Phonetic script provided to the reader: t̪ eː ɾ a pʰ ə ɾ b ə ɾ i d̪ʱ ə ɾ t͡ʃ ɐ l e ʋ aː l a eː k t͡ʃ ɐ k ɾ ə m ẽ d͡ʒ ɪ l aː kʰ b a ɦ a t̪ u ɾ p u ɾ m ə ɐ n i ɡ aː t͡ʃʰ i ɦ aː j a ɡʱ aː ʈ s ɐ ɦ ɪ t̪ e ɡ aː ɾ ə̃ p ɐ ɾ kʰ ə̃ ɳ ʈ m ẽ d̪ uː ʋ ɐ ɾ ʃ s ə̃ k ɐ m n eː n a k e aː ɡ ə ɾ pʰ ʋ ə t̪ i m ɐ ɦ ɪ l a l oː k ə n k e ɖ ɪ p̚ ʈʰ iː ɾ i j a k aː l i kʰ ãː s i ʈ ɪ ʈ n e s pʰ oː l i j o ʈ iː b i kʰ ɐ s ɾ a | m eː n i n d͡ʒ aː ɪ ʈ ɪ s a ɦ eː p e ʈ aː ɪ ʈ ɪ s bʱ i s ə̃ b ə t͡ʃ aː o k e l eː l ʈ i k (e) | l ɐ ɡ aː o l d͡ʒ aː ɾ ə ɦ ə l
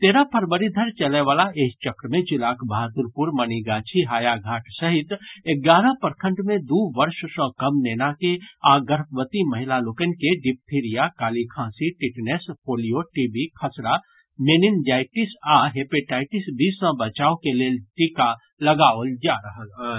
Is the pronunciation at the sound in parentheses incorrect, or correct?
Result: incorrect